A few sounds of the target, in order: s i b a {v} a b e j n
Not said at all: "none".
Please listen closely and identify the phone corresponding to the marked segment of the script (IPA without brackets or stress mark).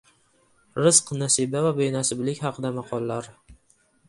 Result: v